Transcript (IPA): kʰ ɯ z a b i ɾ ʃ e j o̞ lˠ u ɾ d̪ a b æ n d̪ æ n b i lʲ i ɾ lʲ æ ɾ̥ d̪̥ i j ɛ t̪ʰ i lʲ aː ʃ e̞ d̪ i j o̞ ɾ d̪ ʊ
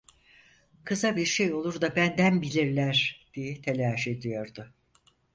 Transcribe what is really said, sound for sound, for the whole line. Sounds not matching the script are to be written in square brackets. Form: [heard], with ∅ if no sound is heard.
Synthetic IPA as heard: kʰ ɯ z a b i ɾ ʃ e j o̞ lˠ u ɾ d̪ a b æ n d̪ æ n b i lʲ i ɾ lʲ æ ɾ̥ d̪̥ i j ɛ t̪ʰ [e] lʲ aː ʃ e̞ d̪ i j o̞ ɾ d̪ ʊ